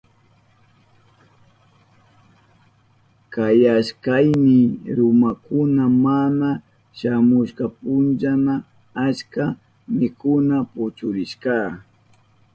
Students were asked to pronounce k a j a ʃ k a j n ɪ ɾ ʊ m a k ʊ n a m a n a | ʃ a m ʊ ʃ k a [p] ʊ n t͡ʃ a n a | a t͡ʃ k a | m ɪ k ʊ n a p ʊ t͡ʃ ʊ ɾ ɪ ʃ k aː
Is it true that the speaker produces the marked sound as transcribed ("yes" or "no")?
yes